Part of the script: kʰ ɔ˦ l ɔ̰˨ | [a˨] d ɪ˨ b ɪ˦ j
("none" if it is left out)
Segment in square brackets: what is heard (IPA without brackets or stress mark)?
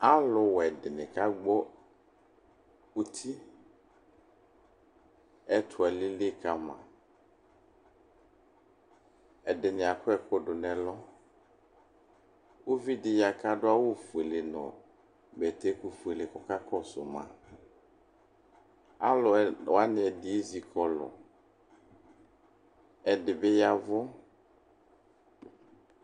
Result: ɛ˨